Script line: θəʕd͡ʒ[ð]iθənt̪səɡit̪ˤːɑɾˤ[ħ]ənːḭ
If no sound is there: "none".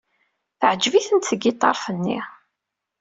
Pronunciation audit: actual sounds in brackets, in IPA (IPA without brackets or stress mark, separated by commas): v, f